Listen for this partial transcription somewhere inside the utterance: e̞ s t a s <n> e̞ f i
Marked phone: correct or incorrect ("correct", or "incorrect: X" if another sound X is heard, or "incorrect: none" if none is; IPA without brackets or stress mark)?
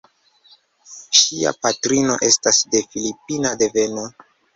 incorrect: d